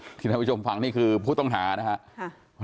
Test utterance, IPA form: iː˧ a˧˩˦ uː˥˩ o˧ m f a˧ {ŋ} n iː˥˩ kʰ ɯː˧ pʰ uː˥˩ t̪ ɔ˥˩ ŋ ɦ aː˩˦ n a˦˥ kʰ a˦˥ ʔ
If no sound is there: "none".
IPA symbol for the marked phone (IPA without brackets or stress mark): ŋ